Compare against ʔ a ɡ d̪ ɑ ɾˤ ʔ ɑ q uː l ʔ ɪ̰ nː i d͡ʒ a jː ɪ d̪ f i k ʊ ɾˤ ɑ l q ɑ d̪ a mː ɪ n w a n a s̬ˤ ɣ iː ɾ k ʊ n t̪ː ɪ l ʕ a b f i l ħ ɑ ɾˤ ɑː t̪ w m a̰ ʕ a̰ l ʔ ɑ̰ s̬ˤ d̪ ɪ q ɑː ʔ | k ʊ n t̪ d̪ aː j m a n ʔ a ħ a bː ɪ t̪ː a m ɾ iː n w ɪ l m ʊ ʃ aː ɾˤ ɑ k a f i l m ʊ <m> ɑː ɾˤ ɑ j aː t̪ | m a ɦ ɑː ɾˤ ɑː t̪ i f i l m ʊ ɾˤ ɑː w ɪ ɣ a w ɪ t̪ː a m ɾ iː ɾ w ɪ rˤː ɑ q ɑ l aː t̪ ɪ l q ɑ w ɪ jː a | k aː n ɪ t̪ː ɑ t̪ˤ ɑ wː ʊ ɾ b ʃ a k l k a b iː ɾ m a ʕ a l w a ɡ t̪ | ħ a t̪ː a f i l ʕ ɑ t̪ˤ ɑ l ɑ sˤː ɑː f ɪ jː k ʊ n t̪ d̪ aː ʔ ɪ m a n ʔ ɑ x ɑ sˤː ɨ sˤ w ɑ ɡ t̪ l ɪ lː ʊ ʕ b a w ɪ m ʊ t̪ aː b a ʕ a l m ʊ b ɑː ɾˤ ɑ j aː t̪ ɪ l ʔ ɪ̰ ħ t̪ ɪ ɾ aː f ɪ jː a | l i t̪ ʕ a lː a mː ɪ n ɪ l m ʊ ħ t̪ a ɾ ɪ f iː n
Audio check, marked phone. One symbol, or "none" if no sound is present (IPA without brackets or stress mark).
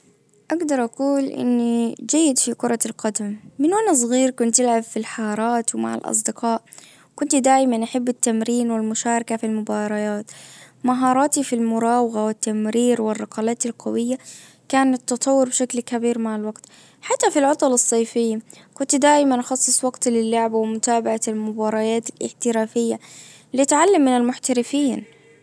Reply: b